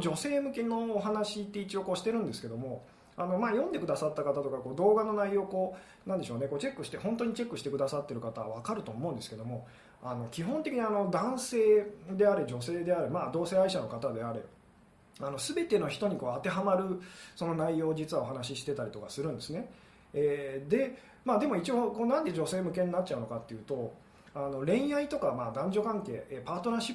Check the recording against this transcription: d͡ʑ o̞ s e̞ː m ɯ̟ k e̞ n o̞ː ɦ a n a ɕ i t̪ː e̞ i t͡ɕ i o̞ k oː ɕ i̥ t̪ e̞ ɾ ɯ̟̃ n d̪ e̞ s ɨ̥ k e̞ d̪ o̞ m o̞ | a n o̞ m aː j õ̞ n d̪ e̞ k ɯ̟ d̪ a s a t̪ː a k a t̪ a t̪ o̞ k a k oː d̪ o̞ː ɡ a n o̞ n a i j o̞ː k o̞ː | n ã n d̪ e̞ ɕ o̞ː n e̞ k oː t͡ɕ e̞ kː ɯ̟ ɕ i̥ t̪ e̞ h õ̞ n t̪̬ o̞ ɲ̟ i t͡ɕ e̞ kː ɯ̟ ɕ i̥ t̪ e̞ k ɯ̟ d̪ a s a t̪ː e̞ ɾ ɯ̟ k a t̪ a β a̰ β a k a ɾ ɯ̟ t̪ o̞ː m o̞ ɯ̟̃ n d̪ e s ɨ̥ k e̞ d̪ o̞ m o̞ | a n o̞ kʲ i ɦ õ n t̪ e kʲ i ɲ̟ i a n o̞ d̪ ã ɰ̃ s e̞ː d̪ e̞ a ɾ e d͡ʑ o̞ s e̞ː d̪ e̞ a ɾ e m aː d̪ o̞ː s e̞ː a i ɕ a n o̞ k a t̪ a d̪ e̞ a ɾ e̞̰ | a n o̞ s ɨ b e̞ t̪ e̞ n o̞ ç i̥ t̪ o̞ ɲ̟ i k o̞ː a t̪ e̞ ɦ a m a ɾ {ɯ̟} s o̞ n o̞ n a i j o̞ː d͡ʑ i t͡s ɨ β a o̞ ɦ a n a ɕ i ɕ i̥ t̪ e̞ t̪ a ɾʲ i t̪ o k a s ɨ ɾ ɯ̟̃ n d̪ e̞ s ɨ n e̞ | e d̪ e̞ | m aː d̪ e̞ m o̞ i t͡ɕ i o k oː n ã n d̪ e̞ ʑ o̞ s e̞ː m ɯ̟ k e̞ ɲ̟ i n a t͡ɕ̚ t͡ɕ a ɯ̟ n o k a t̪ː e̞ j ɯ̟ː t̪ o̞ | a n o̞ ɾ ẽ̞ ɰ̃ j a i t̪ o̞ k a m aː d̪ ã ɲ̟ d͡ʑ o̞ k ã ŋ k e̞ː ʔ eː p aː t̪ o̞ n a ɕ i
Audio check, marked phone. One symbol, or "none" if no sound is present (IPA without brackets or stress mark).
ɯ̟